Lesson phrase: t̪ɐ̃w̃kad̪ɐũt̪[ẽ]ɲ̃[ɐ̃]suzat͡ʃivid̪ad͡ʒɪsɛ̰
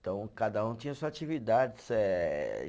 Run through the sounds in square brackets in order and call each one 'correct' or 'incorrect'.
incorrect, incorrect

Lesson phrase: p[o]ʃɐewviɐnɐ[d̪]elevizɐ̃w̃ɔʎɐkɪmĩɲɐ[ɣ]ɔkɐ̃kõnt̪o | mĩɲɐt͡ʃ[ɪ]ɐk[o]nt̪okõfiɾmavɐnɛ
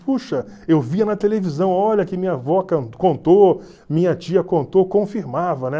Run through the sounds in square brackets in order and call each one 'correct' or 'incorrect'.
incorrect, incorrect, incorrect, incorrect, incorrect

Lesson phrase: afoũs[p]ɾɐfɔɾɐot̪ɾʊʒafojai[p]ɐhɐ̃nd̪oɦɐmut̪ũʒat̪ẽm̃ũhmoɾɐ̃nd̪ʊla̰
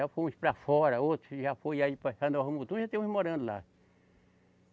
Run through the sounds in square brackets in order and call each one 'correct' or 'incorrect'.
correct, correct

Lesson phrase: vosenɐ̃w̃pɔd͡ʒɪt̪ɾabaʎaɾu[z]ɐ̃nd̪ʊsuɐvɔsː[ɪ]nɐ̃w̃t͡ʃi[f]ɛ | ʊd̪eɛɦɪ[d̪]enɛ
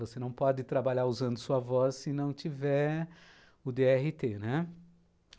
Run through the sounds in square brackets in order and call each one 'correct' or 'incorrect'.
correct, correct, incorrect, incorrect

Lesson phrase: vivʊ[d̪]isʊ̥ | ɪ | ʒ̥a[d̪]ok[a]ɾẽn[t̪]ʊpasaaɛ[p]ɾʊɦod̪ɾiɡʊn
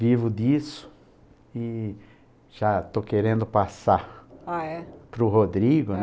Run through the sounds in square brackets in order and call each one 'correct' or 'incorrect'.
correct, incorrect, incorrect, incorrect, correct

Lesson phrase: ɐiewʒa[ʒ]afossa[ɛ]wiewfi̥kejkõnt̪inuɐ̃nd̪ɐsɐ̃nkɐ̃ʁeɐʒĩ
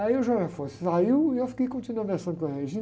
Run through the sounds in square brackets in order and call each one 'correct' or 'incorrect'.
correct, incorrect

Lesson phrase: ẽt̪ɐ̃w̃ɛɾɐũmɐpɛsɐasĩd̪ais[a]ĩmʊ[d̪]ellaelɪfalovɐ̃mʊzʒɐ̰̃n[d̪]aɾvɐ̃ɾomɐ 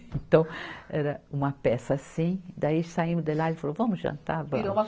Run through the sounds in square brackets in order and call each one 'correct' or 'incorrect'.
correct, correct, incorrect

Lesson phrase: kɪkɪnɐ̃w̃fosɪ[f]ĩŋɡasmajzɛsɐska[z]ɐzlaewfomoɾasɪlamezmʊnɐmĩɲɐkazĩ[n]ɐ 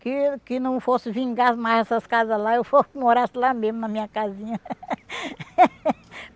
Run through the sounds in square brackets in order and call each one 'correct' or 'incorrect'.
incorrect, correct, incorrect

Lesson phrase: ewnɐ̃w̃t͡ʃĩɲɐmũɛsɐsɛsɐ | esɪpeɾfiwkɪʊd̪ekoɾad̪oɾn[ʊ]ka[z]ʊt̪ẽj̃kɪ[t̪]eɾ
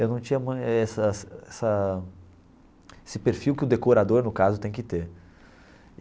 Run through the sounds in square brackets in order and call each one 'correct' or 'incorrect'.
correct, correct, correct

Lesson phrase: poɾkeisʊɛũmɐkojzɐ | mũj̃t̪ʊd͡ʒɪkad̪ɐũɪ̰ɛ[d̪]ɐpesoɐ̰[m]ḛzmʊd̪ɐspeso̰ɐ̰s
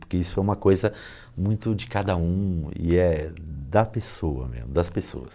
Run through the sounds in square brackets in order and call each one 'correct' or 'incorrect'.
correct, correct

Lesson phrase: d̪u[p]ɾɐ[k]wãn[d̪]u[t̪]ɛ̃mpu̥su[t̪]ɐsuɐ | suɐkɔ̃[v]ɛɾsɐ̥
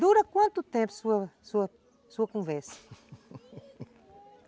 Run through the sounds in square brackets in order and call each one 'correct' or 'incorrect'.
incorrect, correct, incorrect, correct, incorrect, correct

